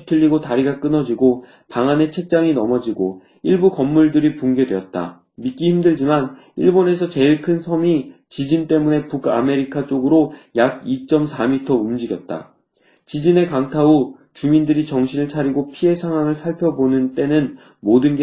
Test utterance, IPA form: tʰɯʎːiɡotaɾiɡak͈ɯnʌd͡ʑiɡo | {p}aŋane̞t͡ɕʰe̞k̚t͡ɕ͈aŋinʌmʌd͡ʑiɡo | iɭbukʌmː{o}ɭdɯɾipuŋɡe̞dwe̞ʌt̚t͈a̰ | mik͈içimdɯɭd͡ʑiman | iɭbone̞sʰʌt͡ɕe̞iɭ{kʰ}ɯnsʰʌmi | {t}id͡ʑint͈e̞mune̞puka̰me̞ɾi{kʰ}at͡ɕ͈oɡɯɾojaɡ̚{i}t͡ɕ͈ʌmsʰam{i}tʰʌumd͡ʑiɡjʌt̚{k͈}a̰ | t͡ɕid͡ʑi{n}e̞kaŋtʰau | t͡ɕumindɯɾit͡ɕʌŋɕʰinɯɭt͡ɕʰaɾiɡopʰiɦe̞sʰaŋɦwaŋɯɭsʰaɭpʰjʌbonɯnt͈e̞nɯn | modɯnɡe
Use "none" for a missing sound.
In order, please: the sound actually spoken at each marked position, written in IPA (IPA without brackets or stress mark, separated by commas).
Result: p, u, kʰ, t͡ɕ, kʰ, i, i, t͈, n